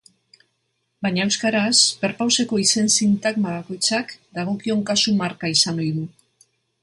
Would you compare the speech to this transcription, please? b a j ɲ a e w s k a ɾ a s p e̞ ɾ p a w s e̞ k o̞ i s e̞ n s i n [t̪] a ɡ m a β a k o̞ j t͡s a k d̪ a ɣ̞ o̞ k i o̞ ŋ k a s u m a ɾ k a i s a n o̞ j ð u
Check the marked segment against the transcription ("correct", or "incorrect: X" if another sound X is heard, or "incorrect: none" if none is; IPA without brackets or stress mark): correct